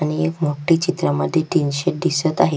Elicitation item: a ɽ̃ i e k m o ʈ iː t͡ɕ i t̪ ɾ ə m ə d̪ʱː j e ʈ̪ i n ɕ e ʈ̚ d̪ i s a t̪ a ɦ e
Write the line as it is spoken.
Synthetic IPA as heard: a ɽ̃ i e k m o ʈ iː t͡ɕ i t̪ ɾ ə m ə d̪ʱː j e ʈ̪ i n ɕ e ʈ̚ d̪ i s ə t̪ a ɦ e